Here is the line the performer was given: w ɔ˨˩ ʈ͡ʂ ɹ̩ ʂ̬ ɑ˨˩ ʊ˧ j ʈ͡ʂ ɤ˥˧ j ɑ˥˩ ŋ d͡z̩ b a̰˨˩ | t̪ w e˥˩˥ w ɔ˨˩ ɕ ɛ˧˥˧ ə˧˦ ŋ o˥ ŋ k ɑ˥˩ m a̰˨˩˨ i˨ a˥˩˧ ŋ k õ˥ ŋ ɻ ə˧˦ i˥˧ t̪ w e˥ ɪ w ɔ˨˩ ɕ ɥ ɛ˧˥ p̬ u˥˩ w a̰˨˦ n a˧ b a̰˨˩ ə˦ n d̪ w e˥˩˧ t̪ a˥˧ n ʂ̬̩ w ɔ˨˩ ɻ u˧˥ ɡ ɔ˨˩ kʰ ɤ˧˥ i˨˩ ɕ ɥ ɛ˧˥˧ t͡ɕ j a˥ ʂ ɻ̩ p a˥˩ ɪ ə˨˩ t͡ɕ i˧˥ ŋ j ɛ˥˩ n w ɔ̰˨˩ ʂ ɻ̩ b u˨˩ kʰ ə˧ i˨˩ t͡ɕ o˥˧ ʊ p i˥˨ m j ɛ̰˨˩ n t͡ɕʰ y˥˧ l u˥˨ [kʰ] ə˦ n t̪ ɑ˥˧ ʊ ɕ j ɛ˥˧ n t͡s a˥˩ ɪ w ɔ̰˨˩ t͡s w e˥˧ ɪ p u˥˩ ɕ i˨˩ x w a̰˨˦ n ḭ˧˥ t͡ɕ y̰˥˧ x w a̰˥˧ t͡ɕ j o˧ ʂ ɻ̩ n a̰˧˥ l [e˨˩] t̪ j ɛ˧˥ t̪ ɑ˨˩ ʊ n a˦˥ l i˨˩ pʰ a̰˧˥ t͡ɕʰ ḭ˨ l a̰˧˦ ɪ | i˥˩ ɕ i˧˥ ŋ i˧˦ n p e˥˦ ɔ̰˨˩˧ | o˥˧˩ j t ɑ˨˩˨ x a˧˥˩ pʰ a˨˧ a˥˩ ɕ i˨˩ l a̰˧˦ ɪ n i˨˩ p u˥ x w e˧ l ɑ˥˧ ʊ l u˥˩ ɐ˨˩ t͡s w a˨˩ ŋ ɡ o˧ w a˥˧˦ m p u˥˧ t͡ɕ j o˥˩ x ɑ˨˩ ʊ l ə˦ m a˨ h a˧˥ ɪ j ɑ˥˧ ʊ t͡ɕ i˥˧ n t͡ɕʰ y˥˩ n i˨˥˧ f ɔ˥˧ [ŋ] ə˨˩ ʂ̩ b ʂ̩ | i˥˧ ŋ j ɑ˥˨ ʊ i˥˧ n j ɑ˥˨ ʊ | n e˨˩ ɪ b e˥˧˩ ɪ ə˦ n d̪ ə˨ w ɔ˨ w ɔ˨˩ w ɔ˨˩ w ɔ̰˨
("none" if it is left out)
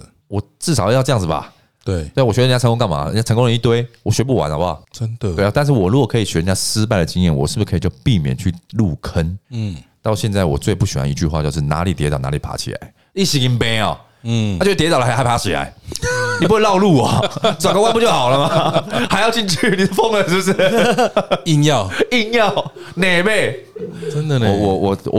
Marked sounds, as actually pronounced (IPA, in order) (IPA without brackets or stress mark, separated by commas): kʰ, i˨˩, ŋ